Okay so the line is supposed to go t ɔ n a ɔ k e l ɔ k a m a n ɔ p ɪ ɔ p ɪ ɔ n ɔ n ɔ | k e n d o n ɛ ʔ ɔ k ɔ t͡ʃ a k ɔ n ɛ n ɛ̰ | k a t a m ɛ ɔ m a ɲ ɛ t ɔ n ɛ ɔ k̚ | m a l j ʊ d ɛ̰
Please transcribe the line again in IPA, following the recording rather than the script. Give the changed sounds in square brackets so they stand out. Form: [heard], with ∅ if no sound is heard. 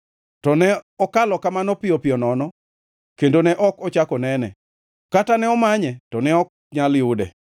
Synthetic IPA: t ɔ n [ɛ] ɔ k [a] l ɔ k a m a n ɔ p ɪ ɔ p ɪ ɔ n ɔ n ɔ | k e n d o n ɛ ʔ ɔ k ɔ t͡ʃ a k ɔ n ɛ n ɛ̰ | k a t a [n] ɛ ɔ m a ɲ ɛ t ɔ n ɛ ɔ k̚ | [ɲ] a l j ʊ d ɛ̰